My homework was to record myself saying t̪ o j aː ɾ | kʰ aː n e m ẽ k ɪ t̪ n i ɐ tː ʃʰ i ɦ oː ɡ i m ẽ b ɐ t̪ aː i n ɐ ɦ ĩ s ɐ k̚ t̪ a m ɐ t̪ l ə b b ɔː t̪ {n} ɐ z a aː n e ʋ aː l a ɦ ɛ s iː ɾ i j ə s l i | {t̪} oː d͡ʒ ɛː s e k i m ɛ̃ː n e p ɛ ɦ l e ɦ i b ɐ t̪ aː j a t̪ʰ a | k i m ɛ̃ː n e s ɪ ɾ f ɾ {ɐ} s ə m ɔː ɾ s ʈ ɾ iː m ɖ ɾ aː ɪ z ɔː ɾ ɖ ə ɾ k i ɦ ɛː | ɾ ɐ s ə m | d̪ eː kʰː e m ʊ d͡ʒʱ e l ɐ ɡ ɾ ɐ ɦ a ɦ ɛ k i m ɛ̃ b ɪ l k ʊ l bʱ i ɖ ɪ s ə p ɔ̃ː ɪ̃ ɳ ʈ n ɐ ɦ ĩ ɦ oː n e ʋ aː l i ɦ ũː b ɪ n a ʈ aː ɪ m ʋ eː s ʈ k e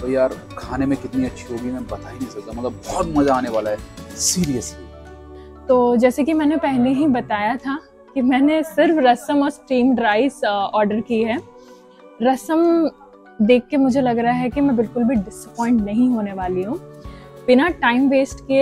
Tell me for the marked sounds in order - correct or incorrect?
incorrect: m, correct, correct

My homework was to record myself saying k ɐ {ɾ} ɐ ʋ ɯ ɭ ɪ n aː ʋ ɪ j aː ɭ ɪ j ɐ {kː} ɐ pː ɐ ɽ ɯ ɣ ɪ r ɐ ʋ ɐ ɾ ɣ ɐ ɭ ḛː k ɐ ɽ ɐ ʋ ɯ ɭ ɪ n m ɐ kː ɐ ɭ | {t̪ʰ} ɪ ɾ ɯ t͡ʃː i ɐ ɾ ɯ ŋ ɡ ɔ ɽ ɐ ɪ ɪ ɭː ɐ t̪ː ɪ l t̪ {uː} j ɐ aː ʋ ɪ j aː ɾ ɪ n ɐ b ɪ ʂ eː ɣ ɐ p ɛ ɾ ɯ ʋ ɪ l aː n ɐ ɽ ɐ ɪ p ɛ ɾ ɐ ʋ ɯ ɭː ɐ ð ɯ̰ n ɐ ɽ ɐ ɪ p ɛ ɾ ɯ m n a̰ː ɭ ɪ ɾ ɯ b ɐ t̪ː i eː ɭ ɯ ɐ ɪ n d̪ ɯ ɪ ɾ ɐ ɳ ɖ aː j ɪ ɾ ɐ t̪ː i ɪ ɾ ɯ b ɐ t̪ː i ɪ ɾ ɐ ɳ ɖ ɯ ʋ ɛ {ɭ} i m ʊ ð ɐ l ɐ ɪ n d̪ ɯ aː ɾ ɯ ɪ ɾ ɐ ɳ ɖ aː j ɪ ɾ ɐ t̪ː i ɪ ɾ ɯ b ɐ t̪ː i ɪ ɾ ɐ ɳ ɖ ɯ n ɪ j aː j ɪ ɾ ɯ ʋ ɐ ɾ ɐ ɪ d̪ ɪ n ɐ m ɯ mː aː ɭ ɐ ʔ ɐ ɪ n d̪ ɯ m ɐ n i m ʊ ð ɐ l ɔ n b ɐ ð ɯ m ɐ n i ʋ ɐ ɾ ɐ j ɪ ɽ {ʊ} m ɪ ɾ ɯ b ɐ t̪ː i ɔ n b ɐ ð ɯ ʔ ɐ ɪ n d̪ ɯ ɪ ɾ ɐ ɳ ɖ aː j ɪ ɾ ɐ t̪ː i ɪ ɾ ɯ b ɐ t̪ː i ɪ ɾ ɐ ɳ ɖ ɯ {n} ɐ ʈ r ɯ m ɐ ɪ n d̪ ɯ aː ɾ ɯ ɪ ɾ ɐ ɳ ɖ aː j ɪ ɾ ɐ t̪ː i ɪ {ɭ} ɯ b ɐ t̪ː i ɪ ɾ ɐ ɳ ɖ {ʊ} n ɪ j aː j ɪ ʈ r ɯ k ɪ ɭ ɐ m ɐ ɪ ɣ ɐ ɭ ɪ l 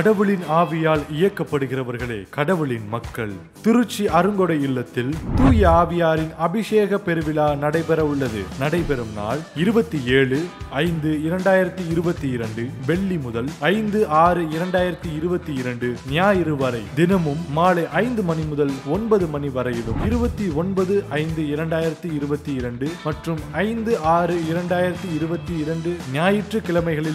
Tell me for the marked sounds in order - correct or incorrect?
incorrect: ɽ, correct, incorrect: t̪, correct, incorrect: ɭː, incorrect: ɯ, incorrect: m, incorrect: ɾ, incorrect: ɯ

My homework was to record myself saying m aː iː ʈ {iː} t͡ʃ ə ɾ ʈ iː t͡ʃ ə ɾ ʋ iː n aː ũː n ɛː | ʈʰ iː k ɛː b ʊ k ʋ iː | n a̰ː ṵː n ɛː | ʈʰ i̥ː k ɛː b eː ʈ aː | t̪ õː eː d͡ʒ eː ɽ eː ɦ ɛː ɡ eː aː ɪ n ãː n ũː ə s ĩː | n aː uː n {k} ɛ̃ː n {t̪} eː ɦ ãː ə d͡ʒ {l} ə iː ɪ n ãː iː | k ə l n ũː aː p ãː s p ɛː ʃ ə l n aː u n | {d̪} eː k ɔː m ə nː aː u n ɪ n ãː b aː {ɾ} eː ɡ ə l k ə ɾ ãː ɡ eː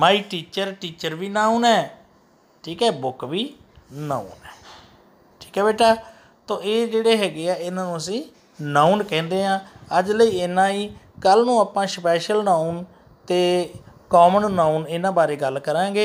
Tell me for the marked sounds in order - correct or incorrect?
correct, correct, incorrect: d̪, correct, incorrect: t̪, correct

